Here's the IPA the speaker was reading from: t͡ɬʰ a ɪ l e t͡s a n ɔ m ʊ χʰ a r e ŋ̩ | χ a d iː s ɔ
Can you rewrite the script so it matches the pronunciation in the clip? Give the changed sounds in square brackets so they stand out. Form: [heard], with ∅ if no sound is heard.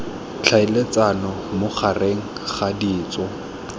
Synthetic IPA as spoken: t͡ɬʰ a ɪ l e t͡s a n ɔ m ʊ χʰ a r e ŋ̩ | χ a d iː [t͡s] ɔ